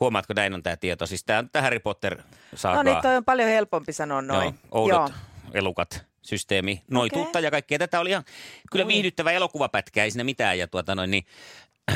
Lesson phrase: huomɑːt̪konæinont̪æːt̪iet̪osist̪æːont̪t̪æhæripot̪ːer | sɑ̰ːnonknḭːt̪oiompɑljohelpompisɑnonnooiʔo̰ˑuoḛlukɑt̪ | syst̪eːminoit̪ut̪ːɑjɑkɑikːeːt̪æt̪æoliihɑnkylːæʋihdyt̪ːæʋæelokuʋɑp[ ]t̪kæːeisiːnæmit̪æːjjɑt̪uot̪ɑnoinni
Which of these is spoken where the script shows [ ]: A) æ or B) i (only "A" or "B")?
A